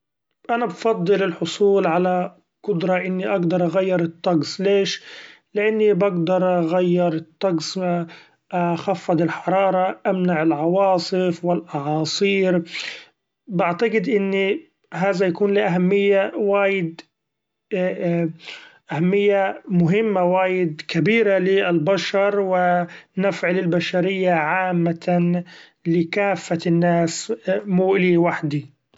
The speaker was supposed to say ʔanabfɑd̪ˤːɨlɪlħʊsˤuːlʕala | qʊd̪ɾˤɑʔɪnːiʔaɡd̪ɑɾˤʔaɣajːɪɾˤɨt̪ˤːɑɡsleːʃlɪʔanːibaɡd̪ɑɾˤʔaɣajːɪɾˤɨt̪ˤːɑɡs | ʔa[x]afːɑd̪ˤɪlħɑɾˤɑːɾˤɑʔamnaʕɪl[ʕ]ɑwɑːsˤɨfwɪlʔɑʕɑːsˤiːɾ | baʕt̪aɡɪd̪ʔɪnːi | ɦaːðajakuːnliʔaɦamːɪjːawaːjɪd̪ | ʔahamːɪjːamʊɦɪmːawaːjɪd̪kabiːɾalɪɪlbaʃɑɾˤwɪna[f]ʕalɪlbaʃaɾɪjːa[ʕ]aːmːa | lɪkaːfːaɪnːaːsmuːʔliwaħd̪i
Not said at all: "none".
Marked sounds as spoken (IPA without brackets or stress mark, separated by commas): x, ʕ, f, ʕ